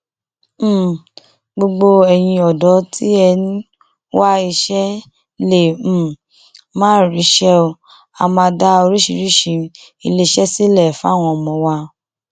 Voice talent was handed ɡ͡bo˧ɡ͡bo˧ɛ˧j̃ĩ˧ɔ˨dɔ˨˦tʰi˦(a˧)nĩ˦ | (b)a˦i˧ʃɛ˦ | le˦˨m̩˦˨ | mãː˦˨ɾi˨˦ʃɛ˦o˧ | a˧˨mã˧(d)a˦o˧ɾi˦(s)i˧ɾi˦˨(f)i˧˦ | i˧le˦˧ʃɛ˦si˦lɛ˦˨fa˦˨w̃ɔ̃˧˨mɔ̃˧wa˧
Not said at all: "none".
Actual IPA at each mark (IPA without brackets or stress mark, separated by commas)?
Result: ɛ˧, w, d, ʃ, ʃ